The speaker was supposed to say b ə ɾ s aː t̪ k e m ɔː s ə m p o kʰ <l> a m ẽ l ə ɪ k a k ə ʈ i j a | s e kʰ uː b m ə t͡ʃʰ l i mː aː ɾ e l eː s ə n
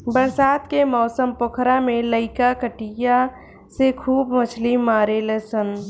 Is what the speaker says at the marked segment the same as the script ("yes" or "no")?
no